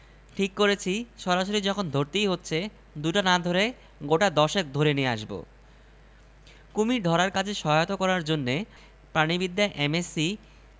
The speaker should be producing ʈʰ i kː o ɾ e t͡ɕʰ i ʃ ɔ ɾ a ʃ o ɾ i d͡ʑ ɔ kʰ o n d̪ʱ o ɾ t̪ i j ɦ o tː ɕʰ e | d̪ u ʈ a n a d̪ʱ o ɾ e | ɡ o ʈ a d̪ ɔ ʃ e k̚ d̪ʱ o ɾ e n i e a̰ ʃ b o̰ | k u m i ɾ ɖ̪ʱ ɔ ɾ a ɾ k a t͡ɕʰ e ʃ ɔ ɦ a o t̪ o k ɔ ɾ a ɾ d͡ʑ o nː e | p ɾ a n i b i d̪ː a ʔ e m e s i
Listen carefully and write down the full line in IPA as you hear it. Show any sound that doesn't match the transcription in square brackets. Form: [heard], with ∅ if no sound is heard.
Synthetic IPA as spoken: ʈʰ i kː o ɾ e t͡ɕʰ i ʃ ɔ ɾ a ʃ o ɾ i d͡ʑ ɔ kʰ o n d̪ʱ o ɾ t̪ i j ɦ o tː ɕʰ e | d̪ u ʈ a n a d̪ʱ o ɾ e | ɡ o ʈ a d̪ ɔ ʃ e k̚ d̪ʱ o ɾ e n i e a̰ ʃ b o̰ | k u m i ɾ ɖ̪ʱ ɔ ɾ a ɾ k a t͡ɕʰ e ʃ ɔ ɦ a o t̪ o k ɔ ɾ a ɾ d͡ʑ o nː e | p ɾ a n i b i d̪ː a ʔ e m e s i